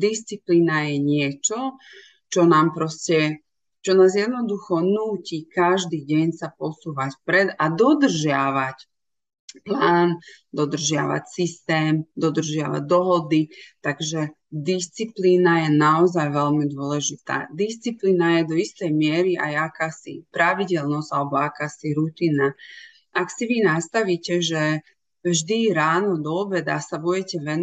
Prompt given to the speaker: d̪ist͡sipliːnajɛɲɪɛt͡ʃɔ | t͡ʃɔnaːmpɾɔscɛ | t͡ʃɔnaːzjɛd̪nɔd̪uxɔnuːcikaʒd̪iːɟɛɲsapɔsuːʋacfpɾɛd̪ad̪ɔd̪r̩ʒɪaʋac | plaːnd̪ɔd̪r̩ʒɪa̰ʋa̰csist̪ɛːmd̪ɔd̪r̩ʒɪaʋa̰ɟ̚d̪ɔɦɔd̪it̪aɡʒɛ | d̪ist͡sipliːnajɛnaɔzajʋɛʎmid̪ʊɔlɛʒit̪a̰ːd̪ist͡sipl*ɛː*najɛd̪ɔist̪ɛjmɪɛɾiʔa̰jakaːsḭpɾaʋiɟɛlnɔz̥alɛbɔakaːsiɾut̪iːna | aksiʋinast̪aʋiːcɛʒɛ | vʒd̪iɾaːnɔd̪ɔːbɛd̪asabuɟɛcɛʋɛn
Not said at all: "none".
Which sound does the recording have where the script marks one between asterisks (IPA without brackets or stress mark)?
iː